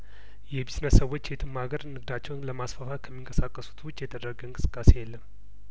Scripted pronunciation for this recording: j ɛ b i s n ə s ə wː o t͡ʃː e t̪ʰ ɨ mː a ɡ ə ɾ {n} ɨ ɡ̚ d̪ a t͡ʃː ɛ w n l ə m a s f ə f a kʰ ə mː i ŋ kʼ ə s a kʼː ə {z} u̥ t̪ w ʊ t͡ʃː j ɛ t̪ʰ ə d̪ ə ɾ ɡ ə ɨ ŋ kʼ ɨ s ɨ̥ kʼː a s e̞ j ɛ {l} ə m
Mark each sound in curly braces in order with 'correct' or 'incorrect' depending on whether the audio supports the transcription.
correct, incorrect: s, incorrect: lː

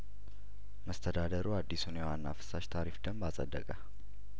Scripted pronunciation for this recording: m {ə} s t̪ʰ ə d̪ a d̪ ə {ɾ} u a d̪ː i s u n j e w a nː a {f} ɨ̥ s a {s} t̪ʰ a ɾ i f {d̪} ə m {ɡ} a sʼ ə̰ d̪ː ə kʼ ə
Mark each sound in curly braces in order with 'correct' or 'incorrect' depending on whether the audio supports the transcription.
correct, correct, correct, incorrect: ʃ, correct, incorrect: b

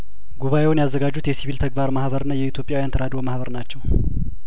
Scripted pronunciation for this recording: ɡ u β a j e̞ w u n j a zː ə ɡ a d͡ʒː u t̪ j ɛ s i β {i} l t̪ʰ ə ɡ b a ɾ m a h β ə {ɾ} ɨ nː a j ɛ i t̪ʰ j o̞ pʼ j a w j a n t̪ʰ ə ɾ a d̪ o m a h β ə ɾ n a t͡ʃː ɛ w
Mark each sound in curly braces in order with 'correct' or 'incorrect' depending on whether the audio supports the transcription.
correct, correct

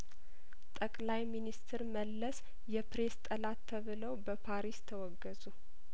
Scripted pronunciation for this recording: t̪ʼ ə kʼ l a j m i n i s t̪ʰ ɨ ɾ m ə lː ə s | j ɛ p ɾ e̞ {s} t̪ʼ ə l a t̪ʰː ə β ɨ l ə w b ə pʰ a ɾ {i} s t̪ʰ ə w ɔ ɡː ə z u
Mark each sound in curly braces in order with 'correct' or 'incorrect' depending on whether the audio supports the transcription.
correct, correct

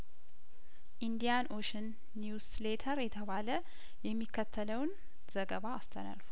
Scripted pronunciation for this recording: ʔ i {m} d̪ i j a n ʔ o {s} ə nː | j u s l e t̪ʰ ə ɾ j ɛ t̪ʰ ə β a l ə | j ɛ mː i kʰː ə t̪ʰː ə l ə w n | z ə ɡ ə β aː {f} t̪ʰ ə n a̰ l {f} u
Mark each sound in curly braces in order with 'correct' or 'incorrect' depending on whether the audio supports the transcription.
incorrect: n, incorrect: ʃ, incorrect: s, correct

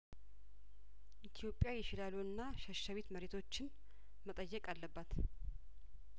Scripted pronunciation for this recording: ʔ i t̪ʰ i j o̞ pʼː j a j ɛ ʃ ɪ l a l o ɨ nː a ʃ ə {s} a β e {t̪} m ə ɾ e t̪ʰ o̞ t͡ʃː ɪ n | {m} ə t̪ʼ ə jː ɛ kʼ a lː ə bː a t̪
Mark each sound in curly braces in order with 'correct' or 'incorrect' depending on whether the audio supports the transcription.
incorrect: ʃ, correct, correct

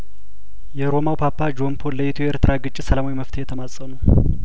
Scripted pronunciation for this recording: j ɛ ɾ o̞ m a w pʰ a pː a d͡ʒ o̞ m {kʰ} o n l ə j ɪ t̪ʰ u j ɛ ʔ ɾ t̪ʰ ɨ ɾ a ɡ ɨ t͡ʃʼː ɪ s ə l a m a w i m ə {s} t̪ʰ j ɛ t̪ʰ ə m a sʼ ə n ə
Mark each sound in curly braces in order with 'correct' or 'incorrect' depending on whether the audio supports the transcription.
incorrect: pʰ, incorrect: f

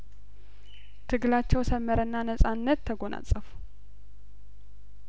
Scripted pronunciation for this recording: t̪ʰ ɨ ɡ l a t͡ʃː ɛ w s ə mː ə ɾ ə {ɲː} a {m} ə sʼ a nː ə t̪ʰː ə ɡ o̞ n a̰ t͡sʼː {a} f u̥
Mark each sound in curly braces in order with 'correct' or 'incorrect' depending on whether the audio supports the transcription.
incorrect: nː, incorrect: n, incorrect: ə

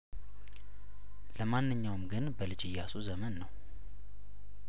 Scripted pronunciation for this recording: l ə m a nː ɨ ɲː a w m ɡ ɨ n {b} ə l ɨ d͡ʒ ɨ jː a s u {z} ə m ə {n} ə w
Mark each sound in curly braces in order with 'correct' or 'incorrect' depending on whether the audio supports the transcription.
correct, correct, incorrect: nː

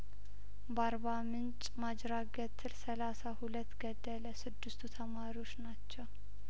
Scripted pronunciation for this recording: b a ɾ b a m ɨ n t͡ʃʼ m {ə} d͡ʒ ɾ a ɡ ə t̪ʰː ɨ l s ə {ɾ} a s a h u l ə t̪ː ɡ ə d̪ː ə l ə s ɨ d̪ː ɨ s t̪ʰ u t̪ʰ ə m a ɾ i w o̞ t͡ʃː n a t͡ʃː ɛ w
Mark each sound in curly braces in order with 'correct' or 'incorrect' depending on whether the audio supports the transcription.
incorrect: a, incorrect: l

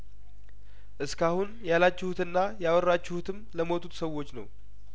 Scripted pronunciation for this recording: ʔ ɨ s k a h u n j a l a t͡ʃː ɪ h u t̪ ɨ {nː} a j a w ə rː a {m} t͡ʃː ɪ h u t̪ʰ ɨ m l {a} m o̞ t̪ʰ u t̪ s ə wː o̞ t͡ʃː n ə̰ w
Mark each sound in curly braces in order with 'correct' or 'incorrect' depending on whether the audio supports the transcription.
correct, incorrect: none, incorrect: ə

